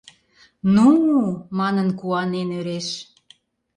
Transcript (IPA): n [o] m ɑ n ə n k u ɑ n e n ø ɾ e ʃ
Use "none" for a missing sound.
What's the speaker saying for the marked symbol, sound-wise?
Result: u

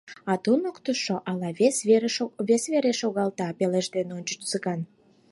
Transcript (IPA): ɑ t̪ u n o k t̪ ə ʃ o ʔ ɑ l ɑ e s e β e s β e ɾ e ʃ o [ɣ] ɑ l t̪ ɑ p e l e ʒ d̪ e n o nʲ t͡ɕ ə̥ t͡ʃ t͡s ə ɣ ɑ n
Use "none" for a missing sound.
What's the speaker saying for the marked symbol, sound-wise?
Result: ɣ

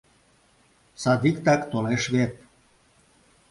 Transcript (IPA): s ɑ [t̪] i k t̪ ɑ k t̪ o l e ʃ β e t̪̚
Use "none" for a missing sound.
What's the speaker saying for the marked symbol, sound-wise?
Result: d̪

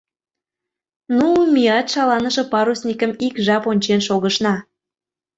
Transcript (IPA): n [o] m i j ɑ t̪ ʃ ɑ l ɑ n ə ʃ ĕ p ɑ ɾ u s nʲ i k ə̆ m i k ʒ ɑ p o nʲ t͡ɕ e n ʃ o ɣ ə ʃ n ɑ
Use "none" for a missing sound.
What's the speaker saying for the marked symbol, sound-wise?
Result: u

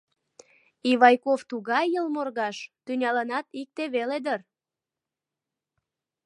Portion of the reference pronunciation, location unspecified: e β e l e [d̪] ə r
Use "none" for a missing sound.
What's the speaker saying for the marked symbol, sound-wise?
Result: d̪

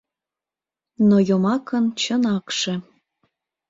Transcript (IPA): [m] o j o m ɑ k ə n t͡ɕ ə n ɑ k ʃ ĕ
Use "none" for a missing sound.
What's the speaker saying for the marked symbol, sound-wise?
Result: n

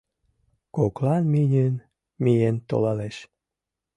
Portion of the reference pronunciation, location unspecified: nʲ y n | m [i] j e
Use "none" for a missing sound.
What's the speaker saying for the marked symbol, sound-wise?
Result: i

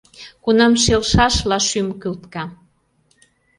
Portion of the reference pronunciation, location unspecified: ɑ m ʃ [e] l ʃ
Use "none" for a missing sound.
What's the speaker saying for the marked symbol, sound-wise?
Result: e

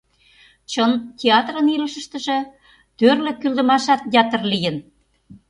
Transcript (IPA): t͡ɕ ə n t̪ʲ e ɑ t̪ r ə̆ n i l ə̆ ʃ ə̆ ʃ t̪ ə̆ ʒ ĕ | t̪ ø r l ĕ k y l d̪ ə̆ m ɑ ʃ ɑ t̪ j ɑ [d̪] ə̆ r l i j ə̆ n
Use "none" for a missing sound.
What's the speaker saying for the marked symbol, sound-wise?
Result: t̪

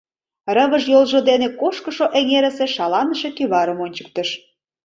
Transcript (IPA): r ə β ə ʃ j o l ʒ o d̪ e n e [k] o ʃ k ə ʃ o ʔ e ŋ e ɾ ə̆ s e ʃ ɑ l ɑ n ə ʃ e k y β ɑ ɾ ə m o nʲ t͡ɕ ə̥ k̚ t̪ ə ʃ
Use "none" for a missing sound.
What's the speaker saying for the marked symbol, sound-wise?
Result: k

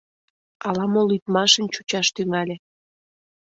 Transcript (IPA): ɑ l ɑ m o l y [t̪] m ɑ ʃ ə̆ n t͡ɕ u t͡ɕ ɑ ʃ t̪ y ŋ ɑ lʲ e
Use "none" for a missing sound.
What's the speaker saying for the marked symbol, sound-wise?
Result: t̪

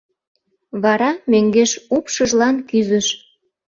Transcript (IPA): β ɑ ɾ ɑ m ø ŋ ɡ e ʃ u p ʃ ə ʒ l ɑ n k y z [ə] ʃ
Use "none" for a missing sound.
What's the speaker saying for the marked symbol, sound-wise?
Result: ə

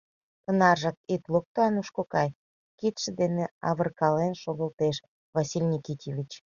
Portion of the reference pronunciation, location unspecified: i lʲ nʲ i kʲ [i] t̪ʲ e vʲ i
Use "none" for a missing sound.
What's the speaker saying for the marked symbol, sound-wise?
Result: i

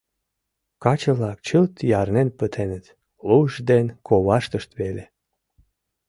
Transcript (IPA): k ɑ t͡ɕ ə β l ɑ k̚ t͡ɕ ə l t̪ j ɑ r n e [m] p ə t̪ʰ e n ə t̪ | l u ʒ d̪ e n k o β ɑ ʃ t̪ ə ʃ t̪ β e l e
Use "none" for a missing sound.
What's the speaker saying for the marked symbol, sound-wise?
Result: n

